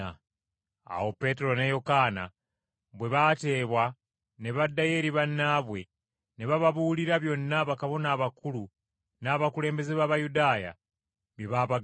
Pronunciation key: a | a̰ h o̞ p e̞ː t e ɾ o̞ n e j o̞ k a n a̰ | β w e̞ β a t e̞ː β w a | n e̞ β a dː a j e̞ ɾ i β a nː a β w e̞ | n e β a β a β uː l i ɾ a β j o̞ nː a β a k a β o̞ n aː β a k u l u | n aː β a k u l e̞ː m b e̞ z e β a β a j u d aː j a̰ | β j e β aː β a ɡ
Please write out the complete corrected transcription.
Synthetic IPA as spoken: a | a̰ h o̞ p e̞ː t e ɾ o̞ n e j o̞ k a n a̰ | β w e̞ β a t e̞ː β w a | n e̞ β a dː a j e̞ ɾ i β a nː a β w e̞ | n e β a β a β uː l i ɾ a β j o̞ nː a β a k a β o̞ n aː β a k u l u | n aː β a k u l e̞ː m b e̞ z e β a β a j u d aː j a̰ | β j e β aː β a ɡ